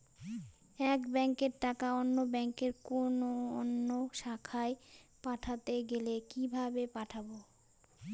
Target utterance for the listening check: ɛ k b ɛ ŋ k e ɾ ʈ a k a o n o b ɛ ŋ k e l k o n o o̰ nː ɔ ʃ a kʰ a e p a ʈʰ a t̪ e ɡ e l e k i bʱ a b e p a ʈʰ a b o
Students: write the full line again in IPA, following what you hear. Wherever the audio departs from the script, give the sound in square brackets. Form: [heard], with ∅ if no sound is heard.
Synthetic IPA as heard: ɛ k b ɛ ŋ k e ɾ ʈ a k a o [nː] o b ɛ ŋ k e [ɾ] k o n o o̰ nː [o] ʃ a kʰ a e p a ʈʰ a t̪ e ɡ e l e k i bʱ a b e p a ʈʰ a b o